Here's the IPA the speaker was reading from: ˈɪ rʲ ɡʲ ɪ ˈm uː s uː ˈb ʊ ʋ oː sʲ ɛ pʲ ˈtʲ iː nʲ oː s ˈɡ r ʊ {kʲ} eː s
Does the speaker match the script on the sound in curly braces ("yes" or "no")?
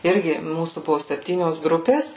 no